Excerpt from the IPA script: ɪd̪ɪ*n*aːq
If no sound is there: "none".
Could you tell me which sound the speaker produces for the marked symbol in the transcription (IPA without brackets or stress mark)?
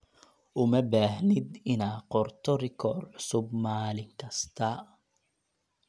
n